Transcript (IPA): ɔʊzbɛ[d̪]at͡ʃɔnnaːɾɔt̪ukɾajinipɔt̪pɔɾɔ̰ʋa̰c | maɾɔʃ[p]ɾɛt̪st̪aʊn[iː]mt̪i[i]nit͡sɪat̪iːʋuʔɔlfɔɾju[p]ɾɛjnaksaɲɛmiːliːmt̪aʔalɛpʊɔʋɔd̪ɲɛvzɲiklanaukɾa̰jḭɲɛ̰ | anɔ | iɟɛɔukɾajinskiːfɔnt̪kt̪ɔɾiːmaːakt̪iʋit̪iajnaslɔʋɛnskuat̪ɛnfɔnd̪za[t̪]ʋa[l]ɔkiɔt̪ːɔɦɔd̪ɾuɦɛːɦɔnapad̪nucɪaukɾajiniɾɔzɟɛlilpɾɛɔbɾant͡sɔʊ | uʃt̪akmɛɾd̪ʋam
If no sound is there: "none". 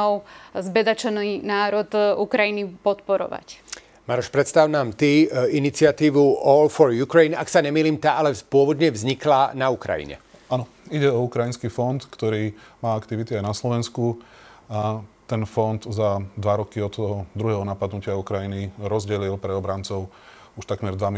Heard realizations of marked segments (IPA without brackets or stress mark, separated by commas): d̪, p, aː, i, k, d̪, ɾ